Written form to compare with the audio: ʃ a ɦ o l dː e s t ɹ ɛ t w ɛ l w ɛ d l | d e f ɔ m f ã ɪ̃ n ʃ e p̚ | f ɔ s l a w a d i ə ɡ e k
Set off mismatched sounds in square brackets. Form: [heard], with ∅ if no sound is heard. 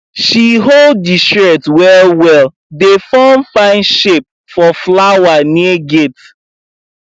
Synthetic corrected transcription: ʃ [i] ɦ o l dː [i] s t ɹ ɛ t w ɛ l w ɛ [∅] l | d e f ɔ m f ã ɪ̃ n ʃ e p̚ | f ɔ [f] l a w a [n] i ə ɡ e [t]